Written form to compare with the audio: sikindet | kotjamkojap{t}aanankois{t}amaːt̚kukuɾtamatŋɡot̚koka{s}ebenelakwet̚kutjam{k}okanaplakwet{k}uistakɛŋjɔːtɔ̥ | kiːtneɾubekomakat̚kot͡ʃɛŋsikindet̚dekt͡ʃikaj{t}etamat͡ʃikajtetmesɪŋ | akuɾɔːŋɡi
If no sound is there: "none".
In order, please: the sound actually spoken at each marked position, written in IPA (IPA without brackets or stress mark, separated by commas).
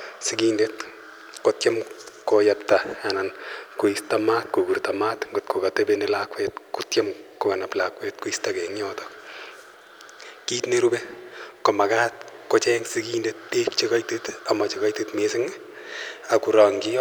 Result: t, t, t, k, k, t